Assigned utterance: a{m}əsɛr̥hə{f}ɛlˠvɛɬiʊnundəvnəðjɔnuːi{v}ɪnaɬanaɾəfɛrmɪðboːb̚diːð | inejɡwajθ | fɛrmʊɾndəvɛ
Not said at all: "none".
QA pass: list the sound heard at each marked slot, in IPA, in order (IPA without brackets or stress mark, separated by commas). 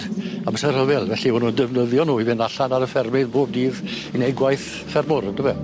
m, v, v